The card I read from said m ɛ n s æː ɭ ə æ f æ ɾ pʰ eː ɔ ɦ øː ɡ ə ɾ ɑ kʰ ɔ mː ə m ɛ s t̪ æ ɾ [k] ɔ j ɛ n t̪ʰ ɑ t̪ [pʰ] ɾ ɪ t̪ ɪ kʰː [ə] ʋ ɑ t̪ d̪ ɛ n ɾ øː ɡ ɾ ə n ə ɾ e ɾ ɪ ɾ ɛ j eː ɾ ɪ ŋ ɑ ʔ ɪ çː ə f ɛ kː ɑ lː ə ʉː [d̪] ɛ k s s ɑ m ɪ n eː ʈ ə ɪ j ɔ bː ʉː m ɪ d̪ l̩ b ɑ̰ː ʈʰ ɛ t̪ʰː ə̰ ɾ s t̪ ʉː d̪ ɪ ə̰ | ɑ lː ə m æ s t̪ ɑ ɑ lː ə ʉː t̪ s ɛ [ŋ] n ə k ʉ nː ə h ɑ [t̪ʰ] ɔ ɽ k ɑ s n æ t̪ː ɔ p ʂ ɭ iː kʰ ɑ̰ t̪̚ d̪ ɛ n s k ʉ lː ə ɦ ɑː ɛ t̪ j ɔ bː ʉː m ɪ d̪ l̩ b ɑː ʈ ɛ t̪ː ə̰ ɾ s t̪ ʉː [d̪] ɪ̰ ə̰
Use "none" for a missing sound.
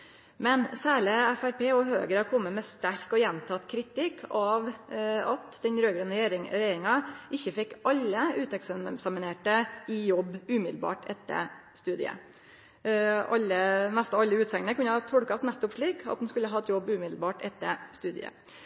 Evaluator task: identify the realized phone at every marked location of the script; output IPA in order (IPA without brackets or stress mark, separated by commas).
k, kʰ, ɑ, t̪, ŋ, t̪ʰ, d̪